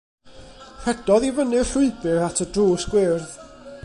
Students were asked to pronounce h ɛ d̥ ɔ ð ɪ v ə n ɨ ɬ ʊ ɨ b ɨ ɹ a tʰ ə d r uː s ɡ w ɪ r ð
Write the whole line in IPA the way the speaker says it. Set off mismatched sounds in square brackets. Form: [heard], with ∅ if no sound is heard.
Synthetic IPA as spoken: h ɛ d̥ ɔ ð [i] v ə n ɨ ɬ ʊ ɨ b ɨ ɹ a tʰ ə d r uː s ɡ w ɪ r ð